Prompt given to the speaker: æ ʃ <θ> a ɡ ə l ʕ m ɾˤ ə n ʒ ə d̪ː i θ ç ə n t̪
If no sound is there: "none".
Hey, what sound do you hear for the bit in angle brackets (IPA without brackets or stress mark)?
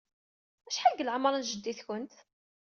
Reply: ħ